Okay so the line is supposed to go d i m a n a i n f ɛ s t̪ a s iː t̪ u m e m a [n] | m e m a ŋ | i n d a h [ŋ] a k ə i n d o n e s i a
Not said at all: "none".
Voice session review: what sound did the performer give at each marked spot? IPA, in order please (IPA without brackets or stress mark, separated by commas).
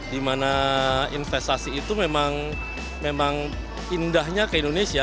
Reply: ŋ, ɲ